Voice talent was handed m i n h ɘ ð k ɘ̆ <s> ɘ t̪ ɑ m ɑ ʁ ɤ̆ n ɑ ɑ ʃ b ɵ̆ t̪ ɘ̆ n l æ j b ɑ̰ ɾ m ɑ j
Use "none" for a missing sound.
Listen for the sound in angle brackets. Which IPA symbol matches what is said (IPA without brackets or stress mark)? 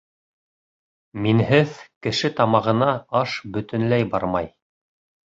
ʃ